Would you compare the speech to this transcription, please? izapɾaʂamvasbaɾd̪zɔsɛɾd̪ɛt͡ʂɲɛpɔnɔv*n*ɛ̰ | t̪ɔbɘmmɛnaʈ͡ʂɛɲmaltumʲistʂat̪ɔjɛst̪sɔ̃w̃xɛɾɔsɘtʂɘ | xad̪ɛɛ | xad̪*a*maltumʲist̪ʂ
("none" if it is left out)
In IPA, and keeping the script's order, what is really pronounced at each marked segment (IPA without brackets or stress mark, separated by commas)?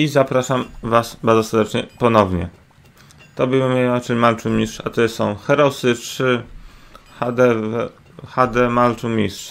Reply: ɲ, ɛ